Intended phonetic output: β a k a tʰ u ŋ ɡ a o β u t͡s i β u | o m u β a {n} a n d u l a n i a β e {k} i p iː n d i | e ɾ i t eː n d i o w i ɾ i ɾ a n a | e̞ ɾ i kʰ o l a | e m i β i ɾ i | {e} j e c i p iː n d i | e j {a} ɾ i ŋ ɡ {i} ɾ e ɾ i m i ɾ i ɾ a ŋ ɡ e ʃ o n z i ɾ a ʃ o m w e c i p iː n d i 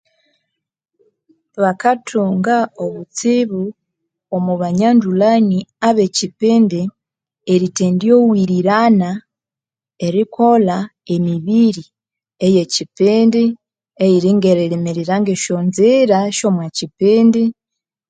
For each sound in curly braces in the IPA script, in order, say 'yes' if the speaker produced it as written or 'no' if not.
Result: no, no, yes, no, no

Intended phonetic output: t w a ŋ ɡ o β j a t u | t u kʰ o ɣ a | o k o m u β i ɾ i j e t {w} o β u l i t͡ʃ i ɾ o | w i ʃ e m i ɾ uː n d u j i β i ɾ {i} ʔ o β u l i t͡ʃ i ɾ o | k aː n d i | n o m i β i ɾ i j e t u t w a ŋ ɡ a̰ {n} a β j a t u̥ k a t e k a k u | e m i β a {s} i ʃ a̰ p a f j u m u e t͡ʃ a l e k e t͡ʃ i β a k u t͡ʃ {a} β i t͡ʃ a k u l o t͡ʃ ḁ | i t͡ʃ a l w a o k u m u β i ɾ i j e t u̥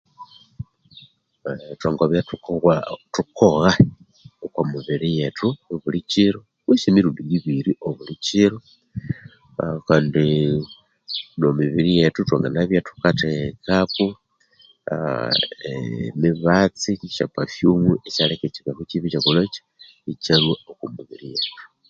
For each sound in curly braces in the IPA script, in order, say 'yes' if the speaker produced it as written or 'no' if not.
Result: no, yes, yes, no, no

